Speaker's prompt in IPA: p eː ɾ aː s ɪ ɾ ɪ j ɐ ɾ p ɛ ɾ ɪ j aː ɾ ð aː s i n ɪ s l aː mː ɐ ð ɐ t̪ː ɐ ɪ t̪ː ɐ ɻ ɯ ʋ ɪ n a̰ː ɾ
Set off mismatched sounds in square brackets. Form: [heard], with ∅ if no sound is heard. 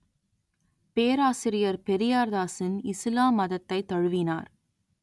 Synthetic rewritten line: p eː ɾ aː s ɪ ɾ ɪ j ɐ ɾ p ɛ ɾ ɪ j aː ɾ ð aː s [ɪ] n ɪ s l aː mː ɐ ð ɐ t̪ː ɐ ɪ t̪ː ɐ ɻ ɯ ʋ ɪ n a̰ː ɾ